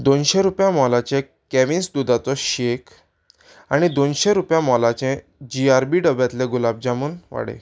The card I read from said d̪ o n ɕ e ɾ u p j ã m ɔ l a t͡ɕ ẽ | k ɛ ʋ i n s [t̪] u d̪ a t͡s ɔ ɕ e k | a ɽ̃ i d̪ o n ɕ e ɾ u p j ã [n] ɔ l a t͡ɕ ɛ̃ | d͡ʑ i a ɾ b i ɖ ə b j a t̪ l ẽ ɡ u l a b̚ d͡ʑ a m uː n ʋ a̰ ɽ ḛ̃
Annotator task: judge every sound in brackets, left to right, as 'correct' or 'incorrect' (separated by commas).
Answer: incorrect, incorrect